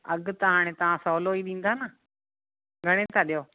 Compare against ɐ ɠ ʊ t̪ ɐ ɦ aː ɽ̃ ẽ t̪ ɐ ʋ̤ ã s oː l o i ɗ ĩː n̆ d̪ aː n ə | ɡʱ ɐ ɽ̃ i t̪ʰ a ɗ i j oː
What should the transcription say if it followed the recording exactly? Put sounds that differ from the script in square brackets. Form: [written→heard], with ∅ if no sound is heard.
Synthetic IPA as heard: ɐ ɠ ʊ t̪ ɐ ɦ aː ɽ̃ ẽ t̪ ɐ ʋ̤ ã s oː l o i ɗ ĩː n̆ d̪ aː n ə | ɡʱ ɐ ɽ̃ [i→e] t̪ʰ a ɗ i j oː